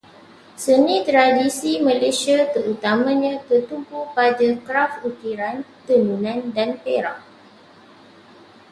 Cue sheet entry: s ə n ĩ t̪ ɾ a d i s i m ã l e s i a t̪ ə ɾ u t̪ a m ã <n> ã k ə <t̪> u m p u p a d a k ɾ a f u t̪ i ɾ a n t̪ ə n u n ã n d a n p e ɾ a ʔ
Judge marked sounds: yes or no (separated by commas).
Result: no, yes